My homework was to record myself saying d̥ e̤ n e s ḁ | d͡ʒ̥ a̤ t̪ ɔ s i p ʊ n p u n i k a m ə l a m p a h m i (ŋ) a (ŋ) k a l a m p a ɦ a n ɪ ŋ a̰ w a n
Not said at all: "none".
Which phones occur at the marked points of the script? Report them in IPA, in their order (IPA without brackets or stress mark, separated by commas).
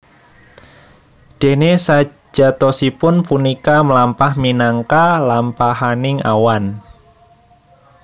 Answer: n, ŋ